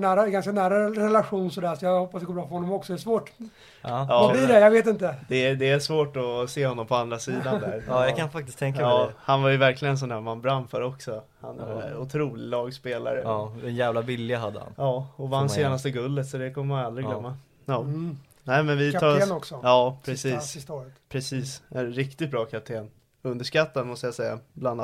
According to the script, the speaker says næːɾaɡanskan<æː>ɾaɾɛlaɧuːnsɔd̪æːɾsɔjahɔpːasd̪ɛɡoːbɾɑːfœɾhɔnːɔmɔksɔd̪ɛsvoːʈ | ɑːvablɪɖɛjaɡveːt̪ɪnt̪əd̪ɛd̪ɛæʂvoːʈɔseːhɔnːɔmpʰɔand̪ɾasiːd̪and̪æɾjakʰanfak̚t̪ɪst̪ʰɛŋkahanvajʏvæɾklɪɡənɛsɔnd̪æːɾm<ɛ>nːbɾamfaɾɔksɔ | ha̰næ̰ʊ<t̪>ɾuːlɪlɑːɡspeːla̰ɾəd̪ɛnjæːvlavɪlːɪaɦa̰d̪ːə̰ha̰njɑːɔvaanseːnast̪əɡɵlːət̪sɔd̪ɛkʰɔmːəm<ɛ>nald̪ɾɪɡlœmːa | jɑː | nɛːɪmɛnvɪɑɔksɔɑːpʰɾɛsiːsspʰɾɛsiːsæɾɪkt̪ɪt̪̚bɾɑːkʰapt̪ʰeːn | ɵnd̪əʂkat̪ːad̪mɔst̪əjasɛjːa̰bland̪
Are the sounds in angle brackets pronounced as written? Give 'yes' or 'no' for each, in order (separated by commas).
yes, no, no, no